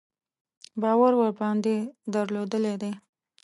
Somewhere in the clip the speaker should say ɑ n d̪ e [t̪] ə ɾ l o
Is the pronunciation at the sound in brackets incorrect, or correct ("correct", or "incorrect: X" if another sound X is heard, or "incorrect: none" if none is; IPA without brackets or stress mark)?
incorrect: d̪